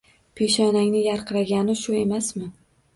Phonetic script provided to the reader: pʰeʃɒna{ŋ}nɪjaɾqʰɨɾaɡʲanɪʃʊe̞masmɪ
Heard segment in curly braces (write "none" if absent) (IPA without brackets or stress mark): ŋ